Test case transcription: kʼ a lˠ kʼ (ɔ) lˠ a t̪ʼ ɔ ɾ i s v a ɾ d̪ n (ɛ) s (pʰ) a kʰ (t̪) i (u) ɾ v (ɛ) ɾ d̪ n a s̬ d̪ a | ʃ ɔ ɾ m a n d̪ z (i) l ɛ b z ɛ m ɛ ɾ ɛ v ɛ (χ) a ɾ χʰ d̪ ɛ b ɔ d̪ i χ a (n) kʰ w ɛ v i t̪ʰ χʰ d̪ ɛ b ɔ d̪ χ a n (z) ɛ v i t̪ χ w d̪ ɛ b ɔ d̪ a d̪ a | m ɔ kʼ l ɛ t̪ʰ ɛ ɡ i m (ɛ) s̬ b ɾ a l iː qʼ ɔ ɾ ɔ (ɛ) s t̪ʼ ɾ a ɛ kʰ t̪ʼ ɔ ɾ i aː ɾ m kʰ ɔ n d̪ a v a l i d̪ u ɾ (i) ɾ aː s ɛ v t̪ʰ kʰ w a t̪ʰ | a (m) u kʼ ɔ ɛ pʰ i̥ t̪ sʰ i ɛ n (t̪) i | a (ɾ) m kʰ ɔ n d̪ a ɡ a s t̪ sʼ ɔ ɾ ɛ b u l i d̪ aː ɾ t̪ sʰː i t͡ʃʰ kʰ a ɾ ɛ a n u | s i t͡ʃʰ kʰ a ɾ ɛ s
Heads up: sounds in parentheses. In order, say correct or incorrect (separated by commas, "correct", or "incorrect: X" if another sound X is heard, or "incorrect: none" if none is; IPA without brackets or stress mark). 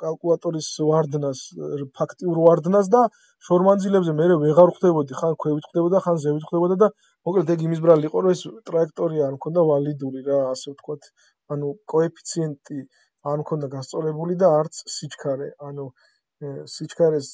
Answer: incorrect: u, incorrect: a, correct, incorrect: t̪ʼ, correct, incorrect: a, correct, incorrect: ʁ, correct, correct, incorrect: i, correct, correct, incorrect: n, incorrect: t̪ʼ, correct